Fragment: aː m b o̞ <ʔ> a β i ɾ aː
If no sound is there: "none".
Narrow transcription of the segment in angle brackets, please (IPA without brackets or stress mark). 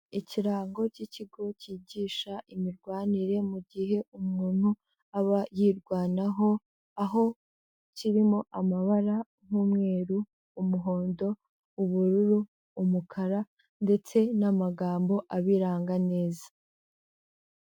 ʔ